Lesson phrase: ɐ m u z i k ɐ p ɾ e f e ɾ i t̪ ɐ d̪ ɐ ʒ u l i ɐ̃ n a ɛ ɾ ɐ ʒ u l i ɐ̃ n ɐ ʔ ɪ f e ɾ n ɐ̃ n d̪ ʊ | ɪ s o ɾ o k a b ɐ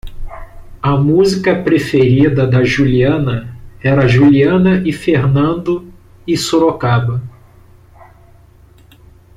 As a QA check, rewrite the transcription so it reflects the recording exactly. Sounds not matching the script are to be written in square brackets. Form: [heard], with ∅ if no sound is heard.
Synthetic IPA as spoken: ɐ m u z i k ɐ p ɾ e f e ɾ i [d̪] ɐ d̪ ɐ ʒ u l i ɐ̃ n [ɐ] ɛ ɾ ɐ ʒ u l i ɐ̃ n ɐ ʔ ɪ f e ɾ n ɐ̃ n d̪ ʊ | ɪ s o ɾ o k a b ɐ